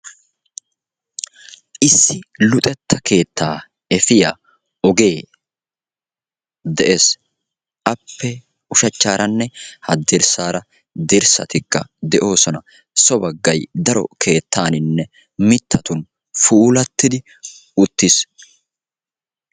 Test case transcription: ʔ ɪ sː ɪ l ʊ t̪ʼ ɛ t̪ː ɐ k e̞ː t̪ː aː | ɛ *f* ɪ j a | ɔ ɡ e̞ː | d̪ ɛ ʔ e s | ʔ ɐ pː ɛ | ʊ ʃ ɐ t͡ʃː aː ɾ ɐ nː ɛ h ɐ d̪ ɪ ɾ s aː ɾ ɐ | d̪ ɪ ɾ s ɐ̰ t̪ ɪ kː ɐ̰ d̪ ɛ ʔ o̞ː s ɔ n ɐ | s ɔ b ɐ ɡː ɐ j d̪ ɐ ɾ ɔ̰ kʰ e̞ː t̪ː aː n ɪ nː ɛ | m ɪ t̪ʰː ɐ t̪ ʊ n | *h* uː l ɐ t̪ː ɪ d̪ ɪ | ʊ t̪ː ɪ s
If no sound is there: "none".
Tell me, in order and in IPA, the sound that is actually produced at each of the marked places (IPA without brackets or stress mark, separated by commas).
f, f